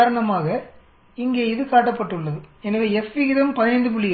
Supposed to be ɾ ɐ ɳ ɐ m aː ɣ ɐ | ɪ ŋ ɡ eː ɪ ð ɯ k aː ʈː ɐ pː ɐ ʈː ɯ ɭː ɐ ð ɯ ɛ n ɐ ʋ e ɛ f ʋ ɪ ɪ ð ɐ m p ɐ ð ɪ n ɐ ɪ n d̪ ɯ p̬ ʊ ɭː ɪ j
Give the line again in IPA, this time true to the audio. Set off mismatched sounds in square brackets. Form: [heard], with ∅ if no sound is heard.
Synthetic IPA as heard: ɾ ɐ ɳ ɐ m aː ɣ ɐ | ɪ ŋ ɡ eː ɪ ð ɯ k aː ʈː ɐ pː ɐ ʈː ɯ ɭː ɐ ð ɯ ɛ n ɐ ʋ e ɛ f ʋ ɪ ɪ ð ɐ m p ɐ ð ɪ n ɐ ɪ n d̪ ɯ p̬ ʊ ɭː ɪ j